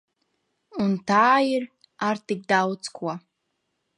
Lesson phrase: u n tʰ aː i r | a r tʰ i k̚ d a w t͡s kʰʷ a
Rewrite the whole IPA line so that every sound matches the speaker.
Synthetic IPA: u n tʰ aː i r | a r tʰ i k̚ d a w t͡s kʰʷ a